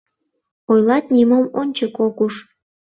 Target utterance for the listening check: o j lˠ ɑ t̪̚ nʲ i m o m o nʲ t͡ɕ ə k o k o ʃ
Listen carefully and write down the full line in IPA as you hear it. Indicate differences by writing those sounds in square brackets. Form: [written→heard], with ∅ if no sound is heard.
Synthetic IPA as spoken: o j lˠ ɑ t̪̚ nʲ i m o m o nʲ t͡ɕ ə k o k [o→u] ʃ